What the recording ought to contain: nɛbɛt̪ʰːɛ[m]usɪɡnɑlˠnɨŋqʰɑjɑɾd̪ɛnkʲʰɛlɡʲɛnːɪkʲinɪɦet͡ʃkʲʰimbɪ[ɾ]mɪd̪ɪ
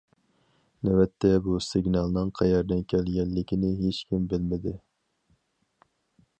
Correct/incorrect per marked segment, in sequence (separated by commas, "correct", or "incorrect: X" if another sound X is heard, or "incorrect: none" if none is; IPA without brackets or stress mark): incorrect: b, incorrect: l